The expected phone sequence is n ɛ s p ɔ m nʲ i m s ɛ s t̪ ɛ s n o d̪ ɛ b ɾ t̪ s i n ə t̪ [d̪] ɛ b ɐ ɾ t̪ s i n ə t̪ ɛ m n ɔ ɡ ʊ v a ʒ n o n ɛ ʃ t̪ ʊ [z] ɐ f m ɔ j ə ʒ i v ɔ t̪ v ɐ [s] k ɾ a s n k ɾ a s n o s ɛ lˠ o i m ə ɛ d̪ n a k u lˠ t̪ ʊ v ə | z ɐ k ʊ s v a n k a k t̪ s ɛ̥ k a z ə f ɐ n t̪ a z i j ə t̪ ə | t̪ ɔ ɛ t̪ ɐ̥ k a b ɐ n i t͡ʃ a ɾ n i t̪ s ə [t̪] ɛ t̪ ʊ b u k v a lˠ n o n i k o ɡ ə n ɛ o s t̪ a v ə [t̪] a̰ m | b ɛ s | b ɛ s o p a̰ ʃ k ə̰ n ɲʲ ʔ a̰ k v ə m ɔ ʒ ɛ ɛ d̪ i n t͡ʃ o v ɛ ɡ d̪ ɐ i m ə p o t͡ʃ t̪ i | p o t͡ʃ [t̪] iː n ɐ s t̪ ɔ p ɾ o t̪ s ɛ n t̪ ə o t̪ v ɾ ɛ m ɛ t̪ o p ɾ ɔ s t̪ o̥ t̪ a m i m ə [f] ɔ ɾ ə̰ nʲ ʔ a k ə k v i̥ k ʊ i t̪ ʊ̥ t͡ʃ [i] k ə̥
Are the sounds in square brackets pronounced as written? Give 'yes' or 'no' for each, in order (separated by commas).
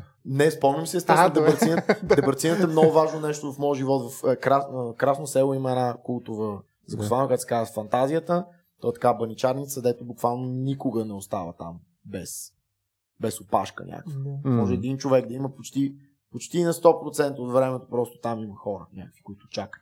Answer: yes, no, no, no, yes, yes, no, no